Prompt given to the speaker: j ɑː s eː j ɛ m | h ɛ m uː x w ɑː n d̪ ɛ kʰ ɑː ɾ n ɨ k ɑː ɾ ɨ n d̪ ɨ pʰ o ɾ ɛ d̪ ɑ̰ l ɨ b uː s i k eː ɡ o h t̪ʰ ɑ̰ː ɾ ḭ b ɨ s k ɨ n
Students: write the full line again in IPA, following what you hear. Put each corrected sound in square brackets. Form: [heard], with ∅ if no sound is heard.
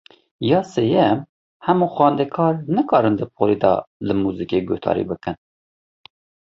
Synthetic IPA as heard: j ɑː s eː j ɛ m | h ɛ m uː x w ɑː n d̪ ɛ kʰ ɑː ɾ n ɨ k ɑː ɾ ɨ n d̪ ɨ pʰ o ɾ [i] d̪ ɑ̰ l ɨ [m] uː [z] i k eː ɡ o h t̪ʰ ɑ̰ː ɾ ḭ b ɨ [∅] k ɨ n

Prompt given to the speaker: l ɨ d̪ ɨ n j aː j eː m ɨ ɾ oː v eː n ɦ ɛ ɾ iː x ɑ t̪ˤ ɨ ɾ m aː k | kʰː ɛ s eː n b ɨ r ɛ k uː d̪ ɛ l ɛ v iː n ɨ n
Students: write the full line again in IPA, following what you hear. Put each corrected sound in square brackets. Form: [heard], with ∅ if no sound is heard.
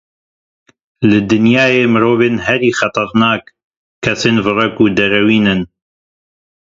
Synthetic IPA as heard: l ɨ d̪ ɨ n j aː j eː m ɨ ɾ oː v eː n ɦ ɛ ɾ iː x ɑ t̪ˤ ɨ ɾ [n] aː k | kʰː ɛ s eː n [v] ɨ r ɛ k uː d̪ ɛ [ɾ] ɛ [w] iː n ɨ n

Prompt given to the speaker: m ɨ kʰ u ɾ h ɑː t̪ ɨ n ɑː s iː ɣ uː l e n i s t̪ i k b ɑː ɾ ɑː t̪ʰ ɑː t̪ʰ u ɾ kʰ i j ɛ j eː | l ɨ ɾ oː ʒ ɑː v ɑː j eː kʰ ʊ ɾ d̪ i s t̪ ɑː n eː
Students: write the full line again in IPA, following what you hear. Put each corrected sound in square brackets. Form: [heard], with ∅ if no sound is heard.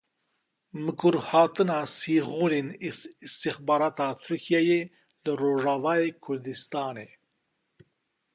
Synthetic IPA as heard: m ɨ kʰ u ɾ h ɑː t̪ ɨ n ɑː s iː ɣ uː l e n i s t̪ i [x] b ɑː ɾ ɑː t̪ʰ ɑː t̪ʰ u ɾ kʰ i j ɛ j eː | l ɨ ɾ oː ʒ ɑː v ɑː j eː kʰ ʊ ɾ d̪ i s t̪ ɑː n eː

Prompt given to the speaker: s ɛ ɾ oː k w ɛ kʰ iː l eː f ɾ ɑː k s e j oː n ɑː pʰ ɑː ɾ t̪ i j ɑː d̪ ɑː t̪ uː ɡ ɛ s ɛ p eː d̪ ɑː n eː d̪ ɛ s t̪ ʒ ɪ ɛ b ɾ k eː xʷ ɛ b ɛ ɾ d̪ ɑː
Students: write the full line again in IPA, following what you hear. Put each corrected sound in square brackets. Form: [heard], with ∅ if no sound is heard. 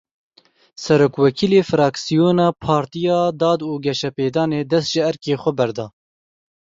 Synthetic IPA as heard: s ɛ ɾ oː k w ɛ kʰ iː l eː f ɾ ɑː k s [i] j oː n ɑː pʰ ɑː ɾ t̪ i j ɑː d̪ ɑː [d̪] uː ɡ ɛ [ʃ] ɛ p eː d̪ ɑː n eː d̪ ɛ s t̪ ʒ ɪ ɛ [∅] ɾ k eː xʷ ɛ b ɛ ɾ d̪ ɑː

